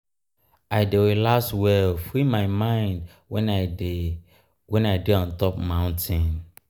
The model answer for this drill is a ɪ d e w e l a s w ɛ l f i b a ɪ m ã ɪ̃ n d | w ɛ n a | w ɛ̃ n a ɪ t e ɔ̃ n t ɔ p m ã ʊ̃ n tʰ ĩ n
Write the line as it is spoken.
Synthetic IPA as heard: a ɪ d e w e l a s w ɛ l f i m a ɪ m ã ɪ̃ n d | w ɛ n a | w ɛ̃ n a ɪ d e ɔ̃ n t ɔ p m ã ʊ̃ n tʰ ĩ n